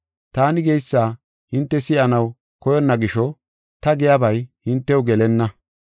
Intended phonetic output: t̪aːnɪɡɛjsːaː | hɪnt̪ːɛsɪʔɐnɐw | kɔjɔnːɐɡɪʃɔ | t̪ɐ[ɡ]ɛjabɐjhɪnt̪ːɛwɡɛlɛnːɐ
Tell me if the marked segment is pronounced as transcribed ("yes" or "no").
yes